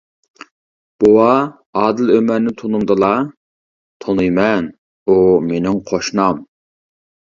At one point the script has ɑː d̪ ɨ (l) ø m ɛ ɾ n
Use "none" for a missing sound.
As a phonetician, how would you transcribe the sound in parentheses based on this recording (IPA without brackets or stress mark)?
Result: l